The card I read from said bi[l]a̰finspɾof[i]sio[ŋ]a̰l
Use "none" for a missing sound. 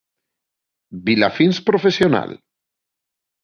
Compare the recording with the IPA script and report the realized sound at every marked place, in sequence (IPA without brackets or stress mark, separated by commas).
l, e, n